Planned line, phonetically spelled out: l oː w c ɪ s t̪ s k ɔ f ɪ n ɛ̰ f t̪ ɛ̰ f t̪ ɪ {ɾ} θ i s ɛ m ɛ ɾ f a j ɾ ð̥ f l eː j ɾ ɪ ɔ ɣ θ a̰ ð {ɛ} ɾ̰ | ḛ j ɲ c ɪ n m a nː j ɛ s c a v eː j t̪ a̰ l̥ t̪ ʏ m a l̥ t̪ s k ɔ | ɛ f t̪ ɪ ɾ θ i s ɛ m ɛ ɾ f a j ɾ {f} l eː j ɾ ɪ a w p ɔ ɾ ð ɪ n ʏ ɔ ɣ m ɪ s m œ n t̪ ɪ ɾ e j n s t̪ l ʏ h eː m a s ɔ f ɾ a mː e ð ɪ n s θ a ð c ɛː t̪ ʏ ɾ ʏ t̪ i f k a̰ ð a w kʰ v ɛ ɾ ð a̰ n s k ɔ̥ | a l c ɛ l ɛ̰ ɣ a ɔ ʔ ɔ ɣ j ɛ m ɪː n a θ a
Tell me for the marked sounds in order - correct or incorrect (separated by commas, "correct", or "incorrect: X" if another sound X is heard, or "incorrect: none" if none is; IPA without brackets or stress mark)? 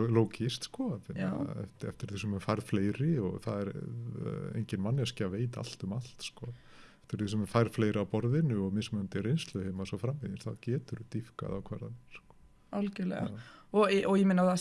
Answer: correct, correct, correct